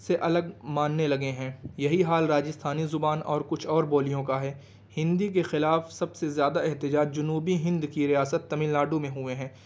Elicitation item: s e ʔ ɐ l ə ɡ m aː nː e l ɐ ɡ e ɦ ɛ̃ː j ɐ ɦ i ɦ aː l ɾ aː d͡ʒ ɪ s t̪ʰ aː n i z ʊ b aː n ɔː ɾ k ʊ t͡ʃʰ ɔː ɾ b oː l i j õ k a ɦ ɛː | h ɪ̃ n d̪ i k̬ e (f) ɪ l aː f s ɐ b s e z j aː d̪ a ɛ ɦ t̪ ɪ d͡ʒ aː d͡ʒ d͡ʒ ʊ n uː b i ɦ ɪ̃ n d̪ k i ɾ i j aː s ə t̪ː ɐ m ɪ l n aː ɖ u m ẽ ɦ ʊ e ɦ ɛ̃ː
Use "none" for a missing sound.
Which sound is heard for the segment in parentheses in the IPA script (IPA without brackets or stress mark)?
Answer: x